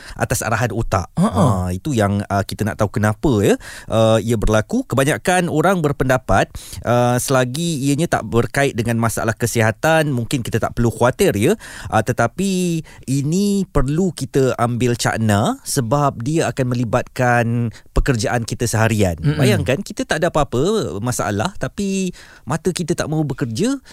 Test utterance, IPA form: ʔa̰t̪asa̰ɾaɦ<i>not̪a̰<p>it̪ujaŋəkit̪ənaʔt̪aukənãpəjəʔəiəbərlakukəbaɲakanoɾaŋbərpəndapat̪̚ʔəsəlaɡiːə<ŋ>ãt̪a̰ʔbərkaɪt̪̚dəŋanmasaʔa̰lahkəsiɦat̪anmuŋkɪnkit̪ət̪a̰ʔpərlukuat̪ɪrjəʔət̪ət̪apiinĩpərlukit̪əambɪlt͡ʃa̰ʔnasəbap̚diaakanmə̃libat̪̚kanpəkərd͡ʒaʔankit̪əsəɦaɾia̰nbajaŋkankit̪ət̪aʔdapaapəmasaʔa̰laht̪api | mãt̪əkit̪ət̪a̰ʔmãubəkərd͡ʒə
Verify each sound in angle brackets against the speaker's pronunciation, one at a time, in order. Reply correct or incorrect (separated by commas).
incorrect, incorrect, incorrect